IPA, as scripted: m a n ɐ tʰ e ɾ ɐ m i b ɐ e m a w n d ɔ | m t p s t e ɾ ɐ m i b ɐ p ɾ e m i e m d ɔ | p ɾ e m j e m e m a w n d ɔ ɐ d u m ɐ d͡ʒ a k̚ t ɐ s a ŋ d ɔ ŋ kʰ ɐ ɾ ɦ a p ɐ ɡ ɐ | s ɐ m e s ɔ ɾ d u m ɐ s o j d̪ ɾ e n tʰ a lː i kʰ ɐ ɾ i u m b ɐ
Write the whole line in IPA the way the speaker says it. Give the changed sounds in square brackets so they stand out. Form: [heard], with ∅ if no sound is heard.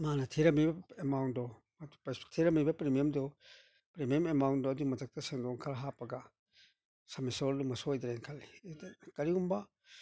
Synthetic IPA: m a n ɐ tʰ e ɾ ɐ m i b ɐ e m a w n d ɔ | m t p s [tʰ] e ɾ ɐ m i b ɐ p ɾ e m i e m d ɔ | p ɾ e m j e m e m a w n d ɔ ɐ d u m ɐ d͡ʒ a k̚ t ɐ s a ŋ d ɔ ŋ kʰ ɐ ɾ ɦ a p ɐ ɡ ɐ | s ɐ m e s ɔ ɾ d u m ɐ s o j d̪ ɾ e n [kʰ] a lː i [k] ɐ ɾ i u m b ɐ